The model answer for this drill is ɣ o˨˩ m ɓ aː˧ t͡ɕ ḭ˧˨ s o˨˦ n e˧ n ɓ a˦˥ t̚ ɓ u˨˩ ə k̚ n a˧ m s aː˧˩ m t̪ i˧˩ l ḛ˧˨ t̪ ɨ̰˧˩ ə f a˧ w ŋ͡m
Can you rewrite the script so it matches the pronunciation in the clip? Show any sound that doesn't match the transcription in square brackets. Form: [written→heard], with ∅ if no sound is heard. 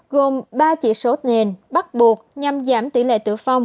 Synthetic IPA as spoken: ɣ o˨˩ m ɓ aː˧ t͡ɕ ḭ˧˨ s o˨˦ n [e˧→e˨˩] n ɓ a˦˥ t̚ ɓ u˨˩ ə k̚ [n→ɲ] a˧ m [s→z] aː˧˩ m t̪ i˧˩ l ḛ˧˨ t̪ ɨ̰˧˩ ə f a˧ w ŋ͡m